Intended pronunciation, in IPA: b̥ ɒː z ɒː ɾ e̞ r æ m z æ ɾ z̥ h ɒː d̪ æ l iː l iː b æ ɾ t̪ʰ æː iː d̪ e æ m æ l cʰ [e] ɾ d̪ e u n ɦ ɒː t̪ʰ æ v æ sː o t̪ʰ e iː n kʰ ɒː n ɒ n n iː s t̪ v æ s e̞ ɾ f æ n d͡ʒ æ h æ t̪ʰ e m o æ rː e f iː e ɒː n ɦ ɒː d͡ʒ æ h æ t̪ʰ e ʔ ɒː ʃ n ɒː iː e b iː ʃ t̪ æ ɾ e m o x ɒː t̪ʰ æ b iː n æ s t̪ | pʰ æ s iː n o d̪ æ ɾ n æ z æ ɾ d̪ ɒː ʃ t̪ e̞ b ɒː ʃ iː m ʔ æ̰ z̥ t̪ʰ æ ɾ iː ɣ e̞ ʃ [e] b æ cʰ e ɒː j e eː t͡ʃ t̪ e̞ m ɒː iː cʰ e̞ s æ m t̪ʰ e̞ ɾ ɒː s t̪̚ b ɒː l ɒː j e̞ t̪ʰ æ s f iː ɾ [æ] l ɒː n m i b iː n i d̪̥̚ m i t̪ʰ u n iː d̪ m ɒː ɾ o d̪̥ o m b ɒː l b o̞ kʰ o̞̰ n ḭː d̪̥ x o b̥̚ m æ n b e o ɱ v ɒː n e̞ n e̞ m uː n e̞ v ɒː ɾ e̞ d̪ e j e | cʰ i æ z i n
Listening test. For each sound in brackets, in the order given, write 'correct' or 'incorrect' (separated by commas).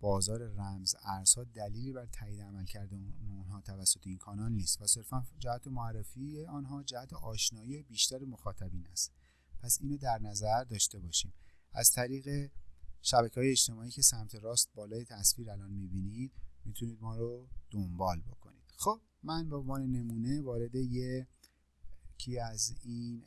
incorrect, incorrect, correct